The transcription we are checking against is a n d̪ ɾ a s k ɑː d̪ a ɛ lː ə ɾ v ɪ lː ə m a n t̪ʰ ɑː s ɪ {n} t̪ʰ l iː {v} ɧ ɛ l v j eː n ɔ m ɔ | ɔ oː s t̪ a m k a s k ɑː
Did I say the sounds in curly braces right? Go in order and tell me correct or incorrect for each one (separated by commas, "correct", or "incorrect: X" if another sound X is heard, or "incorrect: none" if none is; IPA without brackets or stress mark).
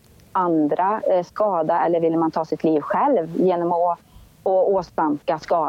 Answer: incorrect: none, correct